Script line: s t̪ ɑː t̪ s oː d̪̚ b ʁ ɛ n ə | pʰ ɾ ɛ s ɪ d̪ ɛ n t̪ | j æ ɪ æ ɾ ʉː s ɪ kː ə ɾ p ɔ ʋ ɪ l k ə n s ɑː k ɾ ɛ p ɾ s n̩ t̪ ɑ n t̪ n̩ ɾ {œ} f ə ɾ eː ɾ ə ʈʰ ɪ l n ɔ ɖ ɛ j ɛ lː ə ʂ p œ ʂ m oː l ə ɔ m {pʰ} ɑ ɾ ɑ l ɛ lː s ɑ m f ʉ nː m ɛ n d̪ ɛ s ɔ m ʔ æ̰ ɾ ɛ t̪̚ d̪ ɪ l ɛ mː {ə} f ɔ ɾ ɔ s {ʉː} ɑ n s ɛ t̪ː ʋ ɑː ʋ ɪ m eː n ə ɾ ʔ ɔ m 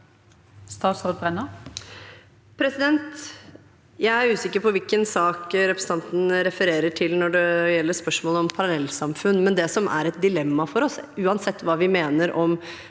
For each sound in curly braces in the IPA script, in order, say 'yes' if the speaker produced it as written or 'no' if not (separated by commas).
no, yes, no, yes